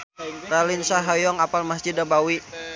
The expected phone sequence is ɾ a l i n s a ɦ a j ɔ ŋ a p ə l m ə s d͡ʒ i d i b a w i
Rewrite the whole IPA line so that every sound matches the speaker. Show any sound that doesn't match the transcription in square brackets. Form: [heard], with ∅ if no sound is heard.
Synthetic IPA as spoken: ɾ a l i n s a ɦ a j ɔ ŋ a p [a] l m [a] s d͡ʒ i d [a] b a w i